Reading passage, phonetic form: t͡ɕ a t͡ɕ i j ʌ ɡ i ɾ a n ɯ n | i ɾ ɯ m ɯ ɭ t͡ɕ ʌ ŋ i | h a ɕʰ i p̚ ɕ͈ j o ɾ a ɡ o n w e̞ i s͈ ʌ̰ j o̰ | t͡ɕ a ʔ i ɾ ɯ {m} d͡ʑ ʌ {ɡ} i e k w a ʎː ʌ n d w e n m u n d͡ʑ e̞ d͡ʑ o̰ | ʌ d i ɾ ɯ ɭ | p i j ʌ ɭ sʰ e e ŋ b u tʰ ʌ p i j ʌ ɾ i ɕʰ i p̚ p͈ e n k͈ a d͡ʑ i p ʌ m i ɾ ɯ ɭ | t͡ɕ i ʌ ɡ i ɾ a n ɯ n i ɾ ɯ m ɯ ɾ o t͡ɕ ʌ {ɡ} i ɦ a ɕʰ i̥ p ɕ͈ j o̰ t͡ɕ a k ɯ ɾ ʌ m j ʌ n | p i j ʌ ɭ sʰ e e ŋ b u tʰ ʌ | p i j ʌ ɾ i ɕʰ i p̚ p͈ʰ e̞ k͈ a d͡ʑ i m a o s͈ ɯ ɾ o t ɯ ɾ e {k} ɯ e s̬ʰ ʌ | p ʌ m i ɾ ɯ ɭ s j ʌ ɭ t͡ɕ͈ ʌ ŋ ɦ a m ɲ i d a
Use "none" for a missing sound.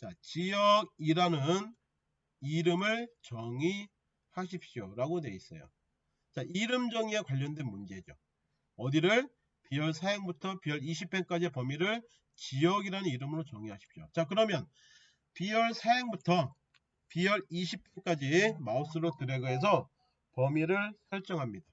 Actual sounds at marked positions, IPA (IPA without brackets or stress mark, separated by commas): m, ŋ, ŋ, ɡ